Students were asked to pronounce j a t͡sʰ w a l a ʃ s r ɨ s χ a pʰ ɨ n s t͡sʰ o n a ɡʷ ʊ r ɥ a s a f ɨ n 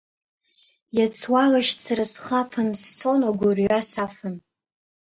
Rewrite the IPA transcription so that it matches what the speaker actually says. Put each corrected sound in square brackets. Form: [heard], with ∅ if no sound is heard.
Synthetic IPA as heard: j a t͡sʰ w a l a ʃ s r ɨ s χ a pʰ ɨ n s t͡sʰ o n a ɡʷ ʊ r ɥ a s a f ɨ n